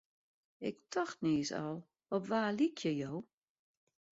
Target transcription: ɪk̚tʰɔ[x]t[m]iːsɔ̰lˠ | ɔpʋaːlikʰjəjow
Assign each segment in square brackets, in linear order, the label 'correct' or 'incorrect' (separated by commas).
correct, incorrect